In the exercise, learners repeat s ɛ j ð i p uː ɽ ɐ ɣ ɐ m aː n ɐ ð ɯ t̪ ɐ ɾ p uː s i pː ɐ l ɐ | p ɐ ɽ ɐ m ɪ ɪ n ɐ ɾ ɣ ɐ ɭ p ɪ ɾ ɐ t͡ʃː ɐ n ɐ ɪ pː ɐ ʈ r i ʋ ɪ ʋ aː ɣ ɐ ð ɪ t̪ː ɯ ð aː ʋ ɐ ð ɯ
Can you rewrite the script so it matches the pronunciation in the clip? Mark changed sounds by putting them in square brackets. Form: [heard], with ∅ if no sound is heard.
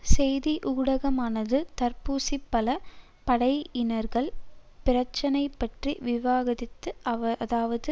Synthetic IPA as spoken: s ɛ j ð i [ʔ] uː ɽ ɐ ɣ ɐ m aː n ɐ ð ɯ t̪ ɐ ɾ p uː s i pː ɐ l ɐ | p ɐ ɽ ɐ [∅] ɪ ɪ n ɐ ɾ ɣ ɐ ɭ p ɪ ɾ ɐ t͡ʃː ɐ n ɐ ɪ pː ɐ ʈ r i ʋ ɪ ʋ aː ɣ ɐ ð ɪ t̪ː ɯ ð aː ʋ ɐ ð ɯ